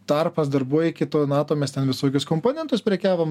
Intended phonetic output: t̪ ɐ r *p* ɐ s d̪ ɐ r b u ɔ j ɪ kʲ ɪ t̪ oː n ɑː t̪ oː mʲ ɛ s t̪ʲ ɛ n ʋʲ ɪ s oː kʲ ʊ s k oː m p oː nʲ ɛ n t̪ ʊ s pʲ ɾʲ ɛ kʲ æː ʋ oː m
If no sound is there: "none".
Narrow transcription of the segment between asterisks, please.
p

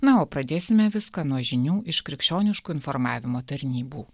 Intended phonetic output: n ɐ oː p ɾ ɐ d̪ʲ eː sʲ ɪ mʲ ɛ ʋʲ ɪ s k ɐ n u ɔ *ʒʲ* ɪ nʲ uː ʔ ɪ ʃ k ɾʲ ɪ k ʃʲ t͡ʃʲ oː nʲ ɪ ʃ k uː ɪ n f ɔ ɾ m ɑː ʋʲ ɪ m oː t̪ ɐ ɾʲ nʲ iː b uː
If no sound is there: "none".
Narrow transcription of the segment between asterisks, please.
ʒʲ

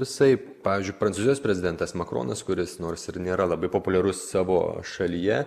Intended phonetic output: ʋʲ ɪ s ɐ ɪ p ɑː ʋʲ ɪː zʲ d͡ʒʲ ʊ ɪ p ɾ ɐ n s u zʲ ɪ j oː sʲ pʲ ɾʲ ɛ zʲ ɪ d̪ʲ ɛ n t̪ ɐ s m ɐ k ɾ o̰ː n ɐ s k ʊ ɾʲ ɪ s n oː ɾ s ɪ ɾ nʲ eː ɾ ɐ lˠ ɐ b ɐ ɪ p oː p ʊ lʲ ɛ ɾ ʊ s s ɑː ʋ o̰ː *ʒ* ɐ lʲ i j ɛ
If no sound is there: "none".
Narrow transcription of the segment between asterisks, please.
ʃ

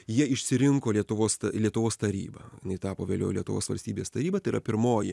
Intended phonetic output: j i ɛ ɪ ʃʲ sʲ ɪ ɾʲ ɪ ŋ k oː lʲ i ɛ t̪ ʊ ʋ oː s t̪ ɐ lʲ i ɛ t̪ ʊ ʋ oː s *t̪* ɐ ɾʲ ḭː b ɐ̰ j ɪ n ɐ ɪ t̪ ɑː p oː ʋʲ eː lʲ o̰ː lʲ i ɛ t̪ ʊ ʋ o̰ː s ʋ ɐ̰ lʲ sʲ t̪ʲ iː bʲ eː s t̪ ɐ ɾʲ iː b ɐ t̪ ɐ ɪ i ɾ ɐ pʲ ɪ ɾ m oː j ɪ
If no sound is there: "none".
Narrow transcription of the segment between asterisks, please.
t̪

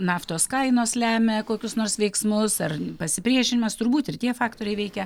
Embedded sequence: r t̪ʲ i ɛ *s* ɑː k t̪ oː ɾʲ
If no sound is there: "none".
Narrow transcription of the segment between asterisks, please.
f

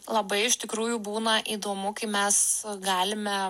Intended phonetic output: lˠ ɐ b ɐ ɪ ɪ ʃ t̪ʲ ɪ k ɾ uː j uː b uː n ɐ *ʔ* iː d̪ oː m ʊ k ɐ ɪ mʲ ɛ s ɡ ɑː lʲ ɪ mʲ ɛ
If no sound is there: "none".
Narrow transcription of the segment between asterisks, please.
ʔ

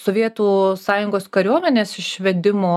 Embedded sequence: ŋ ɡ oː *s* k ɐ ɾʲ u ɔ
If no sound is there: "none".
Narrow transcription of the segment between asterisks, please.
s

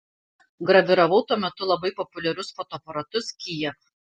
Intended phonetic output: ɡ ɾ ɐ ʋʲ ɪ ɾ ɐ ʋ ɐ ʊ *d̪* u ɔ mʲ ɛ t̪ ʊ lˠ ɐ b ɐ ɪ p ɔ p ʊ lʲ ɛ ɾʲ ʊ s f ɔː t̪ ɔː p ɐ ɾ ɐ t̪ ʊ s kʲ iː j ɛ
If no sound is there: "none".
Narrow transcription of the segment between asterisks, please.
t̪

